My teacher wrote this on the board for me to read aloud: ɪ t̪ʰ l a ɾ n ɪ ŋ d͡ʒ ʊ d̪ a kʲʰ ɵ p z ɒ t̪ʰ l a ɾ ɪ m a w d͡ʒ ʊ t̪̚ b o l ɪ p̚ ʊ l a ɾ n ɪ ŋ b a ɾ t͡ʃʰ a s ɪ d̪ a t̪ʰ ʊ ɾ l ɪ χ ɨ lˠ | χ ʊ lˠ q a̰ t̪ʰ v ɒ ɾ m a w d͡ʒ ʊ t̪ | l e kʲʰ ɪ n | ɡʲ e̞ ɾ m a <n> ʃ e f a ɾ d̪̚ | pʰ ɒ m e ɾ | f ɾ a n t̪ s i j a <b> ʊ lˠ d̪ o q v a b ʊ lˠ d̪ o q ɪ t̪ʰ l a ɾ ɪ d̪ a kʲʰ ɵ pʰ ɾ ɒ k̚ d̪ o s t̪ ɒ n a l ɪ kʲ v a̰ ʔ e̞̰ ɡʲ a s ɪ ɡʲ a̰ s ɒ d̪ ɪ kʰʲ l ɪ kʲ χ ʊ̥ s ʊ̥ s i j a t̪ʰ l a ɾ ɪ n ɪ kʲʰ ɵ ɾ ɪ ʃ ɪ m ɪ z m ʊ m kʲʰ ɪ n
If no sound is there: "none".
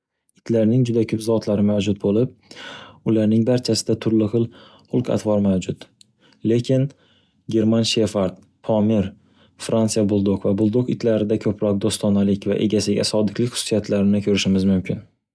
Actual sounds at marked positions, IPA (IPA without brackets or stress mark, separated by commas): n, b